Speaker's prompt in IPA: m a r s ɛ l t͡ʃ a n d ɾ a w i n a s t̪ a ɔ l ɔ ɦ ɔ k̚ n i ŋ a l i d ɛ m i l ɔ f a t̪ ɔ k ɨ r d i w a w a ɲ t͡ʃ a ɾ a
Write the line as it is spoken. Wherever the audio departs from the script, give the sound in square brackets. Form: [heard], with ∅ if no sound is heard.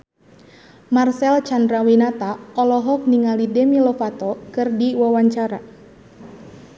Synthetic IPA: m a r s ɛ l t͡ʃ a n d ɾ a w i n a [∅] t̪ a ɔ l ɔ ɦ ɔ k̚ n i ŋ a l i d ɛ m i l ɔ f a t̪ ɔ k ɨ r d i w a w a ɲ t͡ʃ a ɾ a